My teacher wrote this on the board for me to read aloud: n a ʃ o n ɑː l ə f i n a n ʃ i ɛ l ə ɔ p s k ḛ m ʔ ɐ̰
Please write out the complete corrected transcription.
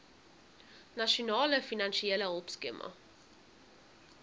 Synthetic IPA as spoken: n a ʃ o n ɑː l ə f i n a n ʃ i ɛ l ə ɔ p s k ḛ m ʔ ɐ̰